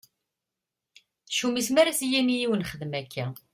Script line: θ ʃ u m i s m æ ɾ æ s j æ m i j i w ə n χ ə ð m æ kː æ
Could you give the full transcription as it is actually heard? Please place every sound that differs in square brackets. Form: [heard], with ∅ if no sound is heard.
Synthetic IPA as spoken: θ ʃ u m i s m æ ɾ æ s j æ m i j i w ə n χ ə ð m æ kː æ